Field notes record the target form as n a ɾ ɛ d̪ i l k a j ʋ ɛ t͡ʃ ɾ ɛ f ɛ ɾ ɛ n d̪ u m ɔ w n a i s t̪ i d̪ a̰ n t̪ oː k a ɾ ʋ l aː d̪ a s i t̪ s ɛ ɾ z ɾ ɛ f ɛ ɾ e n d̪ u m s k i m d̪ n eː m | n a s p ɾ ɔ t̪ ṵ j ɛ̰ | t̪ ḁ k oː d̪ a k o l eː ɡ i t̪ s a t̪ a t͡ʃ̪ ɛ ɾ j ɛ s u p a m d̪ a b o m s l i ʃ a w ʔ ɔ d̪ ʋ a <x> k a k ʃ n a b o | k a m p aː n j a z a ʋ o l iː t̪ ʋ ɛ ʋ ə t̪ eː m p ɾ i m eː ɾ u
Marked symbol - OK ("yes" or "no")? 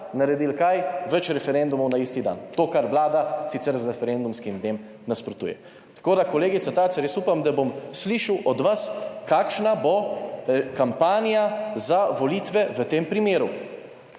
no